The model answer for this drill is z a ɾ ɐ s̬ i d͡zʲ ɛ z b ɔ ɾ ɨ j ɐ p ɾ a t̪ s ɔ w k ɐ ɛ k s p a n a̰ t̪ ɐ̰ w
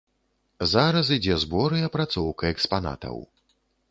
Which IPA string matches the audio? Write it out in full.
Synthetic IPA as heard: z a ɾ ɐ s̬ i d͡zʲ ɛ z b ɔ ɾ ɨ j ɐ p ɾ a t̪ s ɔ w k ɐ ɛ k s p a n a̰ t̪ ɐ̰ w